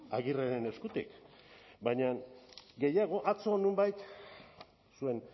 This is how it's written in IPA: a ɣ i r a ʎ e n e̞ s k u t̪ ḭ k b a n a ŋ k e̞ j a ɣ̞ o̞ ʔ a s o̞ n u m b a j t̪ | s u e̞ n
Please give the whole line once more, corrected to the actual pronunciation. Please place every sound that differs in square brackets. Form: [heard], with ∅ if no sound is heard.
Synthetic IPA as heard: a ɣ i r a [ɾ] e n e̞ s k u t̪ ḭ k b a [ɲ] a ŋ [ɡ] e̞ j a ɣ̞ o̞ ʔ a [t͡s] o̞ n u m b a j t̪ | s u e̞ n